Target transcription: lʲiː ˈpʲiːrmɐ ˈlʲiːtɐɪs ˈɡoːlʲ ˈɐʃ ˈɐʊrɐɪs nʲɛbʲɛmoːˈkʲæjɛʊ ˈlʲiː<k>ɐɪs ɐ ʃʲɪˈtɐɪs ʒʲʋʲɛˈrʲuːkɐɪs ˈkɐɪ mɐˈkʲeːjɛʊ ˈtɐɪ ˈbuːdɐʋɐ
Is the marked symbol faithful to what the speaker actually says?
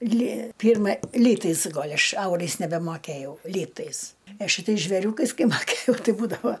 no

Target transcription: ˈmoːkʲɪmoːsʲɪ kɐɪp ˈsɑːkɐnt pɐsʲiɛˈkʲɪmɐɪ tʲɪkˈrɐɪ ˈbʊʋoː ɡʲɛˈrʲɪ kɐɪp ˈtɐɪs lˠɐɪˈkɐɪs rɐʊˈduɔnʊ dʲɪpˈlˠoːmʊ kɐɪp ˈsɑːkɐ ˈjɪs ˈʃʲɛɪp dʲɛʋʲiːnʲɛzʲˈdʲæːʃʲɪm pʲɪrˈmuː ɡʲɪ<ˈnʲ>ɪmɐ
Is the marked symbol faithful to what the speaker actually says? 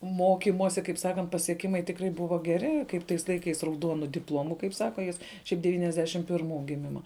no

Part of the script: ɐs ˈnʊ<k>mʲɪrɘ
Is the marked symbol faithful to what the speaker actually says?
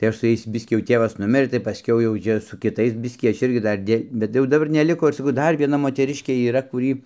no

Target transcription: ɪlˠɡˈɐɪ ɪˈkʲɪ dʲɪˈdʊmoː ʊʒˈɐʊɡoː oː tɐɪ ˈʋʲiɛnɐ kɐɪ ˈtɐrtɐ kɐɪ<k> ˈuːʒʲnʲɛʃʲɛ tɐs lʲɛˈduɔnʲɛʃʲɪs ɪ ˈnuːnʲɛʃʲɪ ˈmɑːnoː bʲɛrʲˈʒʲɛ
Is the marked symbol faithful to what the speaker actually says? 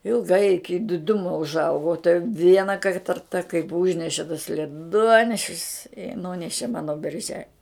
no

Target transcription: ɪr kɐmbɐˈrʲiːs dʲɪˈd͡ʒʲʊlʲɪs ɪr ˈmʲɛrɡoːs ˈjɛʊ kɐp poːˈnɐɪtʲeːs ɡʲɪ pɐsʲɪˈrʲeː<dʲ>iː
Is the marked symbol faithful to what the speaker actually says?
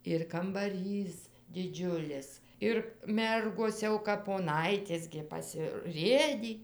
yes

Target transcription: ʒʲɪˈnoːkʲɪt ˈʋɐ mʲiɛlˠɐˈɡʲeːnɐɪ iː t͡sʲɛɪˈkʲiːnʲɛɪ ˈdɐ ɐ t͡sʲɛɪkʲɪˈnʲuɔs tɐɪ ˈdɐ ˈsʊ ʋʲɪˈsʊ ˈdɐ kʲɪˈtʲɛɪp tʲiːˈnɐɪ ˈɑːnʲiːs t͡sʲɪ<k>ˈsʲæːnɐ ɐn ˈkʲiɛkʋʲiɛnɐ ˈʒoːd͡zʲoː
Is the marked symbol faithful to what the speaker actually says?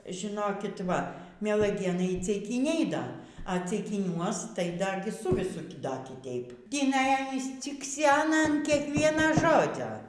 yes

